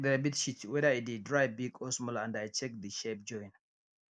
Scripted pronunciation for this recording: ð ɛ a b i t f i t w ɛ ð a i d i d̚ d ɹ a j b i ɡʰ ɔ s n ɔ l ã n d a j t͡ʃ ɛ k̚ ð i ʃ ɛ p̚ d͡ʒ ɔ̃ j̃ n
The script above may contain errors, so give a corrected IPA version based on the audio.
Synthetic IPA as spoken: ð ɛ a b i t ʃ i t w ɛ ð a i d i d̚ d ɹ a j b i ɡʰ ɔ s m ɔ l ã n d a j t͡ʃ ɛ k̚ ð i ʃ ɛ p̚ d͡ʒ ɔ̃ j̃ n